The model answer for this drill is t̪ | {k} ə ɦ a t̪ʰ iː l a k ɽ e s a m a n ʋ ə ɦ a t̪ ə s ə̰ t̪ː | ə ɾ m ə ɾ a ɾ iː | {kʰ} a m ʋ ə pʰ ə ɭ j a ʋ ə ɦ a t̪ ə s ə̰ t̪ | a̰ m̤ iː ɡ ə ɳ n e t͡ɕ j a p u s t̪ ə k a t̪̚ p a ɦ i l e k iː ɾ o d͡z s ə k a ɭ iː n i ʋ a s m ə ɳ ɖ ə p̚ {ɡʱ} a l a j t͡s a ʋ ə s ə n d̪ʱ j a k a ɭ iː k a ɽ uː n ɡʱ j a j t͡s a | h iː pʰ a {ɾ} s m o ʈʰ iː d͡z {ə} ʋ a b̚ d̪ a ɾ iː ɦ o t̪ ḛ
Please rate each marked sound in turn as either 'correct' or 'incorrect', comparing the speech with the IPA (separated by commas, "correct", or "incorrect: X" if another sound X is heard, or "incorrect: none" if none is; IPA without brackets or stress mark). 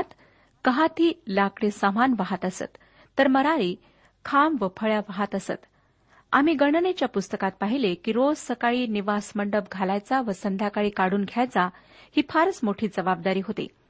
correct, correct, correct, correct, correct